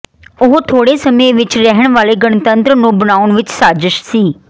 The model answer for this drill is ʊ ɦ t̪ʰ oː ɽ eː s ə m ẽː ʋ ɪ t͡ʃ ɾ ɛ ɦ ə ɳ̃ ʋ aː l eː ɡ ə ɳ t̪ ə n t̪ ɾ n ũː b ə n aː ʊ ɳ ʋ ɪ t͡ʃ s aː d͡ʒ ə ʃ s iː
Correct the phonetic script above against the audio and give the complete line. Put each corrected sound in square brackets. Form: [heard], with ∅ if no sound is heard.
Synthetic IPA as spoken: ʊ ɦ t̪ʰ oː ɽ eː s ə m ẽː ʋ ɪ t͡ʃ ɾ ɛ ɦ ə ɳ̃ ʋ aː l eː ɡ ə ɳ t̪ ə n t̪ ɾ n ũː b ə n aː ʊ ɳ ʋ ɪ t͡ʃ s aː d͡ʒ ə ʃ s iː